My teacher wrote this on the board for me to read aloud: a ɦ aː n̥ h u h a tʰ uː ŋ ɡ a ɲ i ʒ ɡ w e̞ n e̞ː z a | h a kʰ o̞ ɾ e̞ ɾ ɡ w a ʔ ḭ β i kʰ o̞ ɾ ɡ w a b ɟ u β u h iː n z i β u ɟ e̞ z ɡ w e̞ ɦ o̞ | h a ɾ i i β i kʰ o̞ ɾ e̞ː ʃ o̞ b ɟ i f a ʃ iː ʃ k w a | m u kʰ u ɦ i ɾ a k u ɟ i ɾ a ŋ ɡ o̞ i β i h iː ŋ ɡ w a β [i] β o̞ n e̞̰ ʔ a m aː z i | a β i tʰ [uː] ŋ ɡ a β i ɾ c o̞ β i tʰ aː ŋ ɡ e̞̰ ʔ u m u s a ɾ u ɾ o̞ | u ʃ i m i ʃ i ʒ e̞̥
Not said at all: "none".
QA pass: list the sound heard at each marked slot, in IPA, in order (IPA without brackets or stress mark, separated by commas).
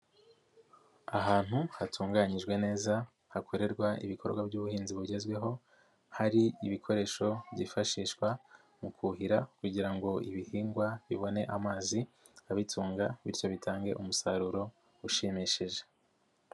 i, uː